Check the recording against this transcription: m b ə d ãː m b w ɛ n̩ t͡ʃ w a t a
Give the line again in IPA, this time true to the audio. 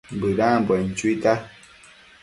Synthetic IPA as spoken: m b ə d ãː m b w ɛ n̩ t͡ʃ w i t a